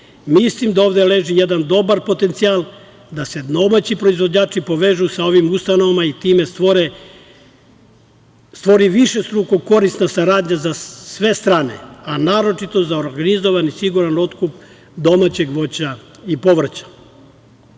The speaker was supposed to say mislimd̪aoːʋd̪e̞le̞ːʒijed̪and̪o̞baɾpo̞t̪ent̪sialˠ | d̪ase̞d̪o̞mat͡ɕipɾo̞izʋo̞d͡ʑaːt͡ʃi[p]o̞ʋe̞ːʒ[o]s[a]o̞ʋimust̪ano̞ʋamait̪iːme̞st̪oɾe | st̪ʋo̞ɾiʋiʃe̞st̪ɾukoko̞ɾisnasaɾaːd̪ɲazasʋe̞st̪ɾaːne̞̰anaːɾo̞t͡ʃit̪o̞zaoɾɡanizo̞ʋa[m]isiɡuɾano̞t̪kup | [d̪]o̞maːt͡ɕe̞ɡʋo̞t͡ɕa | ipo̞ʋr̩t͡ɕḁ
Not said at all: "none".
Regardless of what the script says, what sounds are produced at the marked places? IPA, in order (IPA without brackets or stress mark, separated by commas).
p, u, a, n, d̪